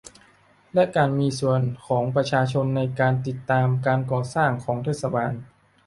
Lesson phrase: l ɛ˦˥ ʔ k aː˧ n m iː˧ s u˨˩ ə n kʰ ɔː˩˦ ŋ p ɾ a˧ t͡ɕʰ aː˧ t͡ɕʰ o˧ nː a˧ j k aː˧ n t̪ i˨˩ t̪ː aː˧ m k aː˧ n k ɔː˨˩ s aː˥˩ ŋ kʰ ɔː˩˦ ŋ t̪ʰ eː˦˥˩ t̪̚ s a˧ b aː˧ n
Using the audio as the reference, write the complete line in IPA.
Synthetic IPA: l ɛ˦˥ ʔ k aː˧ n m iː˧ s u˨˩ ə n kʰ ɔː˩˦ ŋ p ɾ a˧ t͡ɕʰ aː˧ t͡ɕʰ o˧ nː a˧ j k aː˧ n t̪ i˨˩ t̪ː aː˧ m k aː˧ n k ɔː˨˩ s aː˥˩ ŋ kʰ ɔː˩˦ ŋ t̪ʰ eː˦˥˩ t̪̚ s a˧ b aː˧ n